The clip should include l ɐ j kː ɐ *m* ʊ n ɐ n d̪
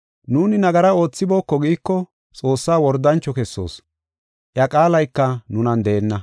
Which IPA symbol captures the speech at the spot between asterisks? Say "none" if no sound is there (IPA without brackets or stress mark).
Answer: n